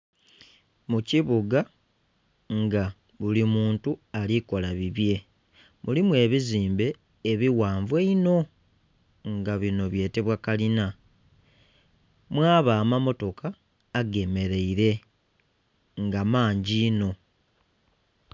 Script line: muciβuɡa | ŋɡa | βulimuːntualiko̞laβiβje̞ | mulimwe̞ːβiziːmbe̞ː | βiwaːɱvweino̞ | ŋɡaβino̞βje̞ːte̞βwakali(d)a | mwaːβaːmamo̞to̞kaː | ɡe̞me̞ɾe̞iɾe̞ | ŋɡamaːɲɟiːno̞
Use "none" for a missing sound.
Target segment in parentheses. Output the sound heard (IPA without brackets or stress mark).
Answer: n